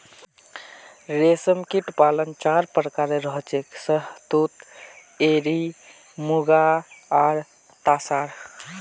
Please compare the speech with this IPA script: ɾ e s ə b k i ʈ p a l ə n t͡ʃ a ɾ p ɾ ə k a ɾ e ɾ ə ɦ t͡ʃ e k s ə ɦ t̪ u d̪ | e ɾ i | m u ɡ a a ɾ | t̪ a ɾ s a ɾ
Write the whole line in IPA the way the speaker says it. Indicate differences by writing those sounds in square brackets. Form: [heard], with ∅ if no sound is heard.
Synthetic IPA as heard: ɾ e s ə [m] k i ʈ p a l ə n t͡ʃ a ɾ p ɾ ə k a ɾ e ɾ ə ɦ t͡ʃ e k s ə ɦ t̪ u [t̪] | e ɾ i | m u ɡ a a ɾ | t̪ a [∅] s a ɾ